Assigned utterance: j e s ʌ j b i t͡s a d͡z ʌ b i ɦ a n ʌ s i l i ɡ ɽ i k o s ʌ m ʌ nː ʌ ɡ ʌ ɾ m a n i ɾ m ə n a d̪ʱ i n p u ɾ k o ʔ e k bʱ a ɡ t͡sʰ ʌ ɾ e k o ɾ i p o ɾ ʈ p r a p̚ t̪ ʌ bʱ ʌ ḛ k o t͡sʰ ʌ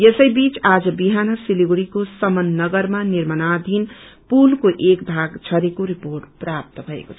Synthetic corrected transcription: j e s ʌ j b i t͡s a d͡z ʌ b i ɦ a n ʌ s i l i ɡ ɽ i k o s ʌ m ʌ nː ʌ ɡ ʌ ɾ m a n i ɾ m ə n a d̪ʱ i n p u l k o ʔ e k bʱ a ɡ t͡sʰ ʌ ɾ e k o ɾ i p o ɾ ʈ p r a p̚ t̪ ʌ bʱ ʌ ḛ k o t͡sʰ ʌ